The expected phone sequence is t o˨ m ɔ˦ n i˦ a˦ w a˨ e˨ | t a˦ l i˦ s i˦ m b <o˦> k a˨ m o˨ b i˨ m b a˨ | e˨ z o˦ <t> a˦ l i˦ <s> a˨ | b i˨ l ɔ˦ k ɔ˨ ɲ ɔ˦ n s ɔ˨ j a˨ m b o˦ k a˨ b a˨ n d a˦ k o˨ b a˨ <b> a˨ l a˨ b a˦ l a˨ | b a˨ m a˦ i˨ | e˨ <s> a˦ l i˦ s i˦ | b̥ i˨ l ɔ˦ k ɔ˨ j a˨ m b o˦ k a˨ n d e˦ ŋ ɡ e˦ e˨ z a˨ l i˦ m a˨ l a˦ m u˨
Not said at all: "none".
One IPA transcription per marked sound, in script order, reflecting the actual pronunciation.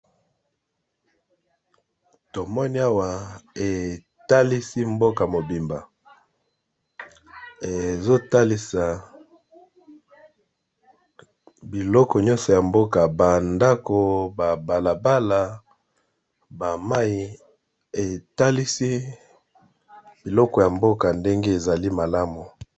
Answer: o˦, t, s, b, t

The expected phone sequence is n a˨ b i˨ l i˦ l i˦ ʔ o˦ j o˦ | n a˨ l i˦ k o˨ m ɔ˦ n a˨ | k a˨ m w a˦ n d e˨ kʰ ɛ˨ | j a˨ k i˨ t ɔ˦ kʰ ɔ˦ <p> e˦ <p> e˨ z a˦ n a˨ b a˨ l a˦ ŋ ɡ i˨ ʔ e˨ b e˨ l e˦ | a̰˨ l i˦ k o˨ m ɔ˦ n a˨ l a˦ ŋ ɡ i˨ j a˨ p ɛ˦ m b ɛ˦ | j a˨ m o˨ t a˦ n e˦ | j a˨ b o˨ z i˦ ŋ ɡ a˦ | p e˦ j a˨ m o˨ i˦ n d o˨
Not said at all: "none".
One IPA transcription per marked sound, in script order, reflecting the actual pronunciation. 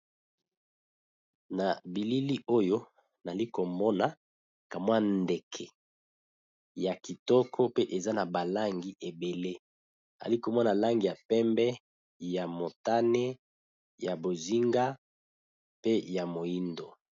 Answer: p, ʔ

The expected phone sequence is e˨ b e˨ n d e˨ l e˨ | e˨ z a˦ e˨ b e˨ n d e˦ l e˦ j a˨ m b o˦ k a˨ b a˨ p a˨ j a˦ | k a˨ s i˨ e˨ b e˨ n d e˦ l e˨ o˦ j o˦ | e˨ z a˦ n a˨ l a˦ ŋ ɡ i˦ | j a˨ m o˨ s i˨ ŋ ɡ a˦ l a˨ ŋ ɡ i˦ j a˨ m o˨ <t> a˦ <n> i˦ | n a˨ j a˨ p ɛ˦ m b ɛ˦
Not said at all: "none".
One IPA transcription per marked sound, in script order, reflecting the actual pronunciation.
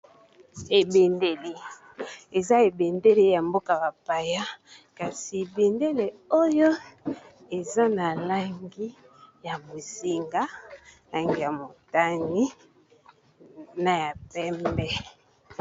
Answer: t, ŋ

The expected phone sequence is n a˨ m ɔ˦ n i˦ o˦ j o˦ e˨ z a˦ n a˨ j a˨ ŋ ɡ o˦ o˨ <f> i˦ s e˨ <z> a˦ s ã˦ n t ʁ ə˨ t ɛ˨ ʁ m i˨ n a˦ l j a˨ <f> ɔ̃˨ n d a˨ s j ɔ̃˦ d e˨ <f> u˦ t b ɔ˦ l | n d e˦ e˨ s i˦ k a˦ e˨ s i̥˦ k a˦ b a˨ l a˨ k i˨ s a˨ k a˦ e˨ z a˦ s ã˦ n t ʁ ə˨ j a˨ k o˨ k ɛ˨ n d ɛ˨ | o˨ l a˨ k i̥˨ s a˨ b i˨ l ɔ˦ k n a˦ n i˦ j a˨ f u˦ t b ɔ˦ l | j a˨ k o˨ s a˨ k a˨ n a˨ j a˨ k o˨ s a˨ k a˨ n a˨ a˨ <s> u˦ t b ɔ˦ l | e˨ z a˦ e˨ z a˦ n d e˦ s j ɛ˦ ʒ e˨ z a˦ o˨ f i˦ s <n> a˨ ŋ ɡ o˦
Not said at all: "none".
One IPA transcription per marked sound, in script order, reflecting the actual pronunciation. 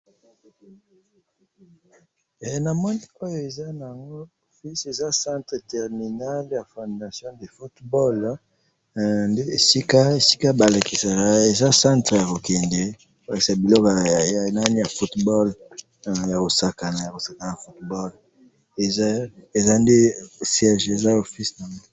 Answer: f, z, f, f, f, n

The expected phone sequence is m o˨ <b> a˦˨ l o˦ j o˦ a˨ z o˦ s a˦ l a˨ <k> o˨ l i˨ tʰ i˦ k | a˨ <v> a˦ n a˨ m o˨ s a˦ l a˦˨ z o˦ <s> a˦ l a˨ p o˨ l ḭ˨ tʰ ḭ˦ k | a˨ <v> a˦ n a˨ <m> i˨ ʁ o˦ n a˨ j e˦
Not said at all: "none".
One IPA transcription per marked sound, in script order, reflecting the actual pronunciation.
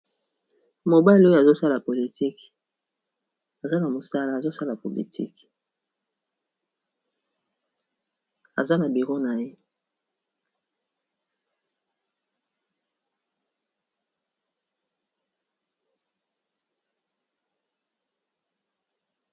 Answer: b, p, z, s, z, b

